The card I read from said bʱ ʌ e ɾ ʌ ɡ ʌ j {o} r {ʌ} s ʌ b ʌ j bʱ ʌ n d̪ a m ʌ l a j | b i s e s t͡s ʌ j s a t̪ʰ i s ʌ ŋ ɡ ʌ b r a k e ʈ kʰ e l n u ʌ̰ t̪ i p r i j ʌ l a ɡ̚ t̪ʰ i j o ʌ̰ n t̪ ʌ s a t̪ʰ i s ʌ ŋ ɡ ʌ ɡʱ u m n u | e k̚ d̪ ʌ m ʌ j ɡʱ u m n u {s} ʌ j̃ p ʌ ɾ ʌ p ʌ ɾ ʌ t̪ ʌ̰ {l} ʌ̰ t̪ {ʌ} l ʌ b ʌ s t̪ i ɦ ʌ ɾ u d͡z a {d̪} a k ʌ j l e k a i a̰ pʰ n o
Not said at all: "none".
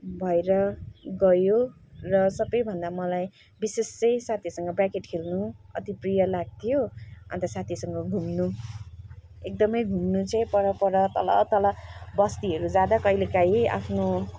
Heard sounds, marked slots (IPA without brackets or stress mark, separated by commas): o, ʌ, t͡s, l, ʌ, d̪